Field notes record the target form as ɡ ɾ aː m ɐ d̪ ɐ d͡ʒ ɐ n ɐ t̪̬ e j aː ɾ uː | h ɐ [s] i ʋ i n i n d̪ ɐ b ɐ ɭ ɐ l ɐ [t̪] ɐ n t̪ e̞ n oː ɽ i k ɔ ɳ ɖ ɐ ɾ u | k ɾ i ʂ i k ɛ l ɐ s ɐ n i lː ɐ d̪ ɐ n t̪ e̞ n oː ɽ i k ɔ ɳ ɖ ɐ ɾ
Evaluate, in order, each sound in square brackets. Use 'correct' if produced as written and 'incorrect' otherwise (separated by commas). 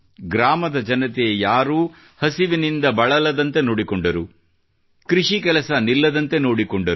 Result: correct, incorrect